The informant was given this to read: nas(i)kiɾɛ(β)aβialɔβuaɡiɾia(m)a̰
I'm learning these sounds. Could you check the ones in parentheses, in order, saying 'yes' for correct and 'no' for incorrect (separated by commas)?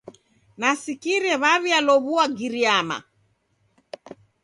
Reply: yes, yes, yes